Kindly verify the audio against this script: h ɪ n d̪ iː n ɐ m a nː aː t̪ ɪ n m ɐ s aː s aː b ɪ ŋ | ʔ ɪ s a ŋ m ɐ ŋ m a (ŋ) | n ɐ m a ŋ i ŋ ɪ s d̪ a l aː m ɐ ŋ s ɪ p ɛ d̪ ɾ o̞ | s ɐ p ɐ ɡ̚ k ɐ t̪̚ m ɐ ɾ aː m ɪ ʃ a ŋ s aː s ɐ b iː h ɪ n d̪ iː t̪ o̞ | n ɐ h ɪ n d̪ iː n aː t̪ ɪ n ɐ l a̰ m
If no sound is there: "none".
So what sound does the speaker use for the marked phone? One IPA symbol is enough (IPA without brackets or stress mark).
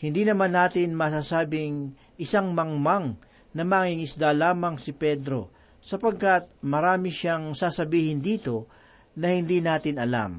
ŋ